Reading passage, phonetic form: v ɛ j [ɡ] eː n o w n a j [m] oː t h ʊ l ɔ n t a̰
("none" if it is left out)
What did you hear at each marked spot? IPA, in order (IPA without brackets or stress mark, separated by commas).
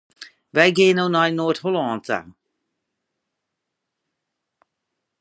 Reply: ɡ, n